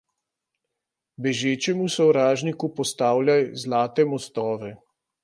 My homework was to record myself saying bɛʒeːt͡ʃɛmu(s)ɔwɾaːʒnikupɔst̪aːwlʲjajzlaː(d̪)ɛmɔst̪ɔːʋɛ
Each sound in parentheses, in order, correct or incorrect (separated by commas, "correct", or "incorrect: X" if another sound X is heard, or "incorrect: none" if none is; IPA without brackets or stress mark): correct, incorrect: t̪